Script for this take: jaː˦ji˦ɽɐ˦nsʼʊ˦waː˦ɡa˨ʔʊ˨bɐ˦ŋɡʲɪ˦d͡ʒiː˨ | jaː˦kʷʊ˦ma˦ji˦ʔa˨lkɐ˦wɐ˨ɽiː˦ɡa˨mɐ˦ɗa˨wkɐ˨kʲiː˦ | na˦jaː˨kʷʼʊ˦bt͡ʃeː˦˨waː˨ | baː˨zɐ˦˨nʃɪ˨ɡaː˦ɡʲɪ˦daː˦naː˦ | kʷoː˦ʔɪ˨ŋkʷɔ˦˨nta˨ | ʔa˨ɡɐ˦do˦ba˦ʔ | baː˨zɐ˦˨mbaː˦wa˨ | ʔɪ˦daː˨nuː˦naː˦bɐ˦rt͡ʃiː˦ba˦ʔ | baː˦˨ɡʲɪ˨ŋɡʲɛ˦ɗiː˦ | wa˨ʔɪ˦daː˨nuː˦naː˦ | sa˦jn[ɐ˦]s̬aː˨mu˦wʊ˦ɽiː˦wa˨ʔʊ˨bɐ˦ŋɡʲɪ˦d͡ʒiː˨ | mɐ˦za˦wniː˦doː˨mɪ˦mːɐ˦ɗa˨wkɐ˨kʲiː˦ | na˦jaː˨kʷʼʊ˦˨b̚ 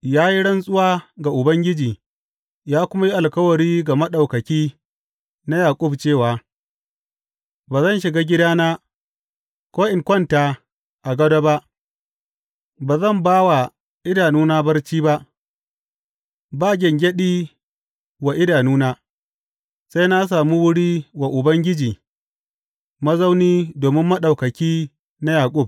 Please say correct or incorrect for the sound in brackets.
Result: incorrect